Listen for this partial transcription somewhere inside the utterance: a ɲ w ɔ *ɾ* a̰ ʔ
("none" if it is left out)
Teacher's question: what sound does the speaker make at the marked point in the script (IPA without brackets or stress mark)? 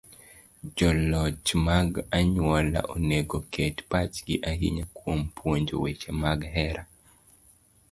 l